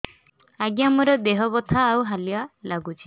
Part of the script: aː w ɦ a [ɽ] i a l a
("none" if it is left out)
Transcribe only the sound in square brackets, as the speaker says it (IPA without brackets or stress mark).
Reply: l